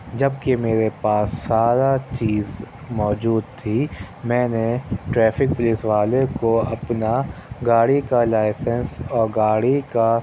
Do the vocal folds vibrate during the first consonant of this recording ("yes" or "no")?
yes